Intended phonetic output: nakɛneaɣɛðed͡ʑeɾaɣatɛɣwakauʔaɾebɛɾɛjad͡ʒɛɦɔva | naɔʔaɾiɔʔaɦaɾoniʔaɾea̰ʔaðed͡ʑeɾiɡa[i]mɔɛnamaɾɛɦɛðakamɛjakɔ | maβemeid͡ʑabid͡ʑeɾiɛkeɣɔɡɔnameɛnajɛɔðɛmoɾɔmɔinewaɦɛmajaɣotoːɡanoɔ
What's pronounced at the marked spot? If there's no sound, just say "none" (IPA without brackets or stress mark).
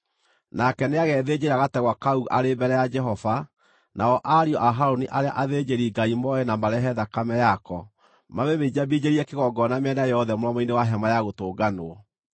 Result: i